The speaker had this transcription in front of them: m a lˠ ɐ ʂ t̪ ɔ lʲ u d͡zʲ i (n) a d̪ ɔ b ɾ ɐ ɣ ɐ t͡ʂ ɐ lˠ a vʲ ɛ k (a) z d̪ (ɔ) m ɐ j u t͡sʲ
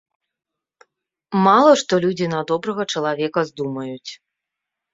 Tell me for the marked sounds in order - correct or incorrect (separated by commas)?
correct, incorrect, incorrect